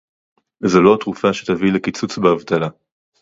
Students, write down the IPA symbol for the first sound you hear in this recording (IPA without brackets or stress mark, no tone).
z